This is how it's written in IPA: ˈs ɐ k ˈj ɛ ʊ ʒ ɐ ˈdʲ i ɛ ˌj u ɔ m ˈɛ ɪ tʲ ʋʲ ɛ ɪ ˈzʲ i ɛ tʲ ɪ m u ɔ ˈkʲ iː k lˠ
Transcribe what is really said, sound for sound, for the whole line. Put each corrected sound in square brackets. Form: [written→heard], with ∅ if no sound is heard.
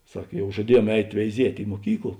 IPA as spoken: ˈs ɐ k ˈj ɛ ʊ ʒ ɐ ˈdʲ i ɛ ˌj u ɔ m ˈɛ ɪ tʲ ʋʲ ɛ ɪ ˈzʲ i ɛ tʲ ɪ m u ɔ ˈkʲ iː k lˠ